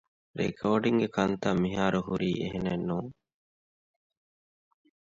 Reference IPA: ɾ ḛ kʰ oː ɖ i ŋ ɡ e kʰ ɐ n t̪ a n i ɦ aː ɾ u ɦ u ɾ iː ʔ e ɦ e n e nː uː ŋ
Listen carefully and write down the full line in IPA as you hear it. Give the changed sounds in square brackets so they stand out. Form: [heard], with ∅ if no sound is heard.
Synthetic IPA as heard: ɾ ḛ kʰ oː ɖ i ŋ ɡ e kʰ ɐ n t̪ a [m] i ɦ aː ɾ u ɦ u ɾ iː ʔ e ɦ e n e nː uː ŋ